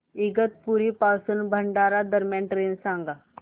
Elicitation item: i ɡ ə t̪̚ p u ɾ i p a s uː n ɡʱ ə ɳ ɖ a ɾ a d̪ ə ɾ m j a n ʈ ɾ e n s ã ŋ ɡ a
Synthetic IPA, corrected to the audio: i ɡ ə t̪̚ p u ɾ i p a s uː n bʱ ə ɳ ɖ a ɾ a d̪ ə ɾ m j a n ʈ ɾ e n s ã ŋ ɡ a